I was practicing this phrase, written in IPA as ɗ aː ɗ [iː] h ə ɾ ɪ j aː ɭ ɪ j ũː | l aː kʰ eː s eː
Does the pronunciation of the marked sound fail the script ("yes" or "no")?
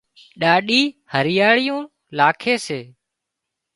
no